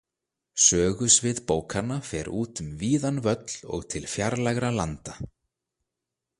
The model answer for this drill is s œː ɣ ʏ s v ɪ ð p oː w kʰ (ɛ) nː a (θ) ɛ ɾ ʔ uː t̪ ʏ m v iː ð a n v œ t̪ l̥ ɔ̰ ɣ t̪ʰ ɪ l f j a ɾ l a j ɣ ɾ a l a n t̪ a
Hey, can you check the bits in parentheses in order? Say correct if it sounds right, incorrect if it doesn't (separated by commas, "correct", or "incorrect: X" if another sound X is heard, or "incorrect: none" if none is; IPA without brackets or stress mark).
incorrect: a, incorrect: f